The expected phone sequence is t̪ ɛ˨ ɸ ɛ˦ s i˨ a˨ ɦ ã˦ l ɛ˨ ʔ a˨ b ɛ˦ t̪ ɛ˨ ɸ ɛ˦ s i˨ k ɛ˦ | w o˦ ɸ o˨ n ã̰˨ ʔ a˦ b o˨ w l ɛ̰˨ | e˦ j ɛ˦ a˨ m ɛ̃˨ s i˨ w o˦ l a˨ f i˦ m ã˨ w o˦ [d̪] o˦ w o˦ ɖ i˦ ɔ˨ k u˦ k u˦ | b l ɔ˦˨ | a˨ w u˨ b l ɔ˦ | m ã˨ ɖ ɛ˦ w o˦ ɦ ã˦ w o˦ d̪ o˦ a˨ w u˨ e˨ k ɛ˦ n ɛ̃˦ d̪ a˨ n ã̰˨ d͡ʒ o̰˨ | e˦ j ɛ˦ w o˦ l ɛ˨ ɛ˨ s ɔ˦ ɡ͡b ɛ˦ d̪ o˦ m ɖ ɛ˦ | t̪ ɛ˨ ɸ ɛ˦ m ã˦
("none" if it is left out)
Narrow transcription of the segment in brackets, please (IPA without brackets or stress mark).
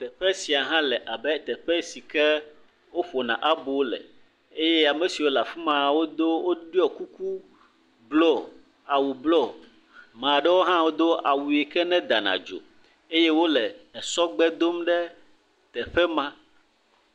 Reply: d̪